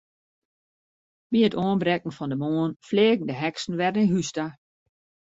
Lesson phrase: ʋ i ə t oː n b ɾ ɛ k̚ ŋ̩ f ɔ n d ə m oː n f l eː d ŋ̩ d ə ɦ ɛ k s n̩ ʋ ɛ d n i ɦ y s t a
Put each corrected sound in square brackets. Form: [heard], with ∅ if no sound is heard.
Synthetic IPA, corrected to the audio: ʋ i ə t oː n b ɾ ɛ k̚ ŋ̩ f ɔ n d ə m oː n f l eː [ɡ] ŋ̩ d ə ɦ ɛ k s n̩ ʋ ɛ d n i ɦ y s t a

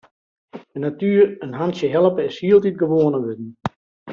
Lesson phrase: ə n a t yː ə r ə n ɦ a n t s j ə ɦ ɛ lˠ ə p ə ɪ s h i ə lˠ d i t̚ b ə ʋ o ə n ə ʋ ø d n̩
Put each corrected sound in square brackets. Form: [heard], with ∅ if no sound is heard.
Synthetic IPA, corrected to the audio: ə n a t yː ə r ə n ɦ a n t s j ə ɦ ɛ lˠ ə p ə ɪ s h i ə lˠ [t] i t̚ [ɡ] ə ʋ o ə n ə ʋ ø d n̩

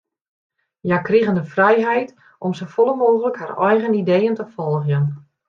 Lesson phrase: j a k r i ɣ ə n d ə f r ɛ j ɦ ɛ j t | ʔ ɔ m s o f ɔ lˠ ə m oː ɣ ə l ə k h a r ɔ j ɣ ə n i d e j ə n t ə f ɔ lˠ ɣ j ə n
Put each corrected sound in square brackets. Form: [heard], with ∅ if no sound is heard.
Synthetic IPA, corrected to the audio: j a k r i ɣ ə n d ə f r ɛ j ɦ ɛ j t | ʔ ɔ m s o f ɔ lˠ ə m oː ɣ ə l ə k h a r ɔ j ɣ ə n i d e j ə n t ə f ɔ lˠ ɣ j ə n

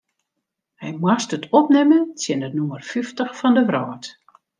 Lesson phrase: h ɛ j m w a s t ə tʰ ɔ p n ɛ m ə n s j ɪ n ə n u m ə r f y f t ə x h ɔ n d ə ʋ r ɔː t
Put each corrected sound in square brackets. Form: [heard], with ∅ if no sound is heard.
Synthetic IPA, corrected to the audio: h ɛ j m w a s t ə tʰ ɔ p n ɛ m ə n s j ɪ n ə n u m ə r f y f t ə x [f] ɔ n d ə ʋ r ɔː t

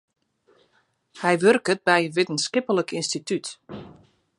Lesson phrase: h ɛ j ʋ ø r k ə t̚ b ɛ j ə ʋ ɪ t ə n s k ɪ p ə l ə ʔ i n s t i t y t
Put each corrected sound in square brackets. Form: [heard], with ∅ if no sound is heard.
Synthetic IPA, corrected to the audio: h ɛ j ʋ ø r k ə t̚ b ɛ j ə ʋ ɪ t ə n s k ɪ p ə l ə [k] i n s t i t y t

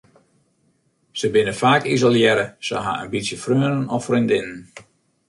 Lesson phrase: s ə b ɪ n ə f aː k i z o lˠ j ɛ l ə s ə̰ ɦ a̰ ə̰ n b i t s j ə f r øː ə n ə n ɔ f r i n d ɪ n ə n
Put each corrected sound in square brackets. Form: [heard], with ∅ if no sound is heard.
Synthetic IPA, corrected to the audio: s ə b ɪ n ə f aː k i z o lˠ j ɛ [ɾ] ə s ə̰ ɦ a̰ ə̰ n b i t s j ə f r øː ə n ə n ɔ f r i n d ɪ n ə n

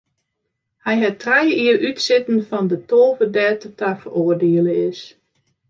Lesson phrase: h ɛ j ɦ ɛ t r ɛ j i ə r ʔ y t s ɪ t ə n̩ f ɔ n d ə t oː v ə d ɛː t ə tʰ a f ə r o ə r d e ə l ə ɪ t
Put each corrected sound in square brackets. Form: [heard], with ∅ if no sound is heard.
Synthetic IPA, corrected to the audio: h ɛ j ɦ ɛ t r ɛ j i ə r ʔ y t s ɪ t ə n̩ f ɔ n d ə t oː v ə d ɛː t ə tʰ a f ə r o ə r d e ə l ə ɪ [s]

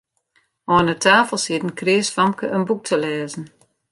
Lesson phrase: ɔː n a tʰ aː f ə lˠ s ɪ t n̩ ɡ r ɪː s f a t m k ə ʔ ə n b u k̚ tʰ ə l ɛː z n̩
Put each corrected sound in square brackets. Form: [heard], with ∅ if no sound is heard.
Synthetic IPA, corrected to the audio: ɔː n [ə] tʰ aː f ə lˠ s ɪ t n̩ [k] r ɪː s f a [∅] m k ə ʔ ə n b u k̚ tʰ ə l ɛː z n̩

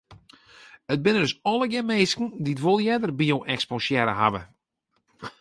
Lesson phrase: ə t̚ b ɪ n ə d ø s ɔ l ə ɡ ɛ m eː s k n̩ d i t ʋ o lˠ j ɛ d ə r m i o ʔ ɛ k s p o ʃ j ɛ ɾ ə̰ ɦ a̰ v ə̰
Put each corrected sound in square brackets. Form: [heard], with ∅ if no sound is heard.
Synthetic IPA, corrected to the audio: ə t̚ b ɪ n ə d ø s ɔ l ə ɡ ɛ m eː s k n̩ d i t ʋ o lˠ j ɛ d ə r [b] i o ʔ ɛ k s p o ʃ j ɛ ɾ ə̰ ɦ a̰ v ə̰

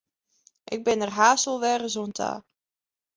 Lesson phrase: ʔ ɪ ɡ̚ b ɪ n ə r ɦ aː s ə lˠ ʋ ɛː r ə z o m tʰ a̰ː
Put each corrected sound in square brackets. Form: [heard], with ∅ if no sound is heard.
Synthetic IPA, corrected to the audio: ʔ ɪ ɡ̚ b ɪ n ə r ɦ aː s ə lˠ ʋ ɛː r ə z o [n] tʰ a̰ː

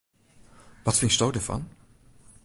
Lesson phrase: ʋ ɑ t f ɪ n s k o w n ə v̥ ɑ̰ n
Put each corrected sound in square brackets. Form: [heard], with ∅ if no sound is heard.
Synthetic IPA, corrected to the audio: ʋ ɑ t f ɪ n s [t] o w [d] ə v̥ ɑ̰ n

